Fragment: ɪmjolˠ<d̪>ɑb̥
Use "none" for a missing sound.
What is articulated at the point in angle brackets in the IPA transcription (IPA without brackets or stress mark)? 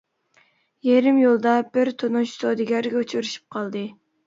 d̪